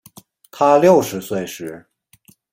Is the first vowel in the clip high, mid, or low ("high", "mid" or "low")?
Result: low